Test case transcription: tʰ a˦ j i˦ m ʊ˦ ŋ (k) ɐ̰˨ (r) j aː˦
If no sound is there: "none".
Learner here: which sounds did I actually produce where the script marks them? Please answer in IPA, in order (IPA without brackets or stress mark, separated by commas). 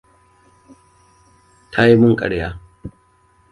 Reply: kʼ, ɽ